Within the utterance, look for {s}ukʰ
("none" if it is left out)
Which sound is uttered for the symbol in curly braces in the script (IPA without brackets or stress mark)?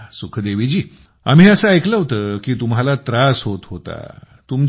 s